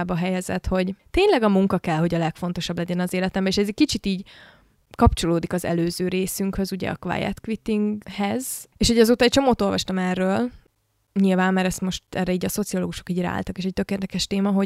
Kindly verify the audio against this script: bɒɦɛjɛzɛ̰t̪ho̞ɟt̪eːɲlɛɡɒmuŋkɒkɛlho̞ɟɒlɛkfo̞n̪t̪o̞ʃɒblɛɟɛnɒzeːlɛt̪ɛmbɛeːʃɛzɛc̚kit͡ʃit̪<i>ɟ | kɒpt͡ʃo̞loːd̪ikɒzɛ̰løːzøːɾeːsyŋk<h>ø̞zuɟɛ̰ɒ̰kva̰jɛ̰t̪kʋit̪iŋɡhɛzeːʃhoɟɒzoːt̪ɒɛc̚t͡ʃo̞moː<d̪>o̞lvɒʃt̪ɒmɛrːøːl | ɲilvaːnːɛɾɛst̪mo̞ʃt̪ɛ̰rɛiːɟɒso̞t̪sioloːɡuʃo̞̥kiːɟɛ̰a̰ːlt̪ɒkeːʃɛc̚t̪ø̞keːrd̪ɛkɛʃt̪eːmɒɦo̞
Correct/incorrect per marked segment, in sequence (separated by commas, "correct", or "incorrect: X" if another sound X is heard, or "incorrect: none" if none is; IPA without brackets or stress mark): incorrect: iː, correct, incorrect: t̪